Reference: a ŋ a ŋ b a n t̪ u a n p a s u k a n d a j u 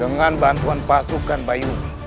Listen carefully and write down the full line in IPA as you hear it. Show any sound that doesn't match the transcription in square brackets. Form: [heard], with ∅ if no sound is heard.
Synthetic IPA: [ə] ŋ a [n] b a n t̪ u a n p a s u k a n [b] a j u